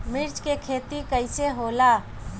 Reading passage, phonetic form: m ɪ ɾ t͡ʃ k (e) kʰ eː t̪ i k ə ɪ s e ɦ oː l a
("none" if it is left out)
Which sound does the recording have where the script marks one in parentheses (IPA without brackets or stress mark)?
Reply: e